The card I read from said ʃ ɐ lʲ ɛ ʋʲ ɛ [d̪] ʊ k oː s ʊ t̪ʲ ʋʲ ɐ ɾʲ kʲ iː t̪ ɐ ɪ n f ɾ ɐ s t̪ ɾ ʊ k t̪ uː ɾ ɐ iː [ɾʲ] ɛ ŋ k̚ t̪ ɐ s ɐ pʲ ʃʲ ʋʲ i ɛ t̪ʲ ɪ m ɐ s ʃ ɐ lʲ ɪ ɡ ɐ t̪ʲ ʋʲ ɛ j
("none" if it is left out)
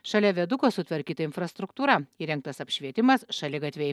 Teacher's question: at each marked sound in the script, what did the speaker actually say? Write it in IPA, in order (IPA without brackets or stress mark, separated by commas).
d̪, ɾʲ